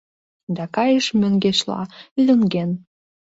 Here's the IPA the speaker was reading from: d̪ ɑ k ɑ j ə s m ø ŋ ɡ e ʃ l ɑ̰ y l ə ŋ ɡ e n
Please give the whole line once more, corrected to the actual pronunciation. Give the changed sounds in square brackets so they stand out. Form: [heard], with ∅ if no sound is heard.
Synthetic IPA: d̪ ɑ k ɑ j ə [ʃ] m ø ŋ ɡ e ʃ l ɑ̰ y l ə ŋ ɡ e n